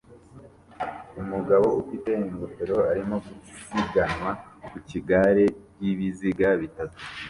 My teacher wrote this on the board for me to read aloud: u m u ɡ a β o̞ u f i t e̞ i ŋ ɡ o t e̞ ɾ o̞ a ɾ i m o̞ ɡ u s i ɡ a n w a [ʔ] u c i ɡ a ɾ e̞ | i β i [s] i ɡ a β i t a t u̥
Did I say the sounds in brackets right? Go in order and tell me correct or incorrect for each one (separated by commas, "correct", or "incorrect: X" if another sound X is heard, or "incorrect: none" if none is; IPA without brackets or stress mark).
incorrect: k, incorrect: z